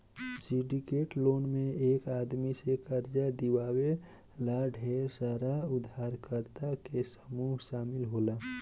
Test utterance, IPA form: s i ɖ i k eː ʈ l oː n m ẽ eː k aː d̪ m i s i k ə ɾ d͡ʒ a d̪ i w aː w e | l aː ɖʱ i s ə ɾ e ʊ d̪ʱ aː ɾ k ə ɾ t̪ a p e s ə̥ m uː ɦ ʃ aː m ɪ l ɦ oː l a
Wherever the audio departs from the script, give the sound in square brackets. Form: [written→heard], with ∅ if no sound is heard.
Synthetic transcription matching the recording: s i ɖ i k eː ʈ l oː n m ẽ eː k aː d̪ m i s [i→e] k ə ɾ d͡ʒ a d̪ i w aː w e | l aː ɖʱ [i→e] s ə ɾ [e→a] ʊ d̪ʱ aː ɾ k ə ɾ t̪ a [p→k] e s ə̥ m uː ɦ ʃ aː m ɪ l ɦ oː l a